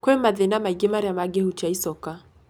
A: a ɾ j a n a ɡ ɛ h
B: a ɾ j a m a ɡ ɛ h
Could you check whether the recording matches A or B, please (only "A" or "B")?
B